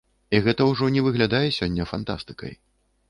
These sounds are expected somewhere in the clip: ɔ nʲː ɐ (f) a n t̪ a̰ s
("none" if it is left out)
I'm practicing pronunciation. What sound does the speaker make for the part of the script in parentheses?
f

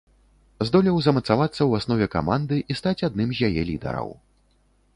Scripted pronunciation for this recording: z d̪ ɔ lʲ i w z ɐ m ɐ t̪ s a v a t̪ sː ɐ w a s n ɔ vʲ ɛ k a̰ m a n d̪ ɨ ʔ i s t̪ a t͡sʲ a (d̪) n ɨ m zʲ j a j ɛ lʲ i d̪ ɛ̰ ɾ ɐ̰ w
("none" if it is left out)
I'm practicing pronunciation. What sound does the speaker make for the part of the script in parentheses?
d̪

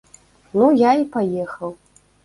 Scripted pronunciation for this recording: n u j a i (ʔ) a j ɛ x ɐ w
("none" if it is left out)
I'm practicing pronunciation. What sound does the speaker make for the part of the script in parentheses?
p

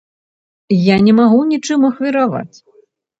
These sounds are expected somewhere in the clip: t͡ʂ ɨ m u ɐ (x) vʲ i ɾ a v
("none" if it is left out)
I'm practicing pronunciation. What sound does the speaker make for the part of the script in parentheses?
x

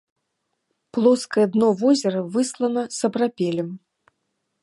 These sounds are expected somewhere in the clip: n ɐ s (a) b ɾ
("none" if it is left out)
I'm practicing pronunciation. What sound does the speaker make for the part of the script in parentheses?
ɐ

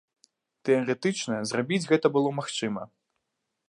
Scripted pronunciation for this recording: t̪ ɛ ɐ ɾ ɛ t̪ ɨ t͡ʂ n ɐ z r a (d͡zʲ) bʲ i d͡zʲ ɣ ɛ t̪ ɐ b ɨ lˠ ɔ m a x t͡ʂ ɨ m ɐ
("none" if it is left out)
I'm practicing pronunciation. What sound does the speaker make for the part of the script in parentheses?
none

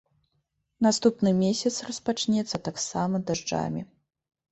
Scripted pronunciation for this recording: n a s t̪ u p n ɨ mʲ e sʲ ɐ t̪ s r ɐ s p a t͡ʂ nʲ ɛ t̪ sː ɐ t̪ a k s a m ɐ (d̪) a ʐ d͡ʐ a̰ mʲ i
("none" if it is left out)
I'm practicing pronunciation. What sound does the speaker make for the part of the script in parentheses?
d̪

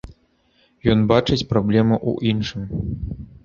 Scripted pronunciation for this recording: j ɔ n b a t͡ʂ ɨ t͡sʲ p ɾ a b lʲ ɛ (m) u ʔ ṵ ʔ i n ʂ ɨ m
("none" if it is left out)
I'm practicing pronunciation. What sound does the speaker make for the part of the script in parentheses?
m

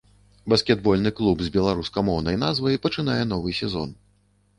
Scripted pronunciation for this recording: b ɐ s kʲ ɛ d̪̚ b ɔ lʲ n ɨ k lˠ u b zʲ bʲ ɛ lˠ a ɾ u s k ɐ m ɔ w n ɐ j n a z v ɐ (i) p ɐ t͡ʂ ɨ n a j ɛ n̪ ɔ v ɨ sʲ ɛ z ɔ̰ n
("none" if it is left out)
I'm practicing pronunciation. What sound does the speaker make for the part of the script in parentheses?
j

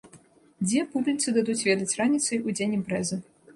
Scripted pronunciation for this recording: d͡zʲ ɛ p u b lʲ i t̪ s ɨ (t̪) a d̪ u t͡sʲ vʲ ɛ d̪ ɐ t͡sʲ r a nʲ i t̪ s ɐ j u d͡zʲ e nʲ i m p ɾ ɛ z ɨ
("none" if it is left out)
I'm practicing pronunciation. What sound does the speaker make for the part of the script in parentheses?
d̪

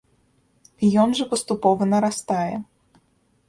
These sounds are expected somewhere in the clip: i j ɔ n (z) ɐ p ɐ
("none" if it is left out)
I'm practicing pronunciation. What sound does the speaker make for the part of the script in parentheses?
ʐ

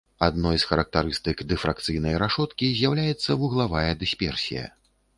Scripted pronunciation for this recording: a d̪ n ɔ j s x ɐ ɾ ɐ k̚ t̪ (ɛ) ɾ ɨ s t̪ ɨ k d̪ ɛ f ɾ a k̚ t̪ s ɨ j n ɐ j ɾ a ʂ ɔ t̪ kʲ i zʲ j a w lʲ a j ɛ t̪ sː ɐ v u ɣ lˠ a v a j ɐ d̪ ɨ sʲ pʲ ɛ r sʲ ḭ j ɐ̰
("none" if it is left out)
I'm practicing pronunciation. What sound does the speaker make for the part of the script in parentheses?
a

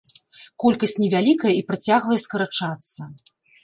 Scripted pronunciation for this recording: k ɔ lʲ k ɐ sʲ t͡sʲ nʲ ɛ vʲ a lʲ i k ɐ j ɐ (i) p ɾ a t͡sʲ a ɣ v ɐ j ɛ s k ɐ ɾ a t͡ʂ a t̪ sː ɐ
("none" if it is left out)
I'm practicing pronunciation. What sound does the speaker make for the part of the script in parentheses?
i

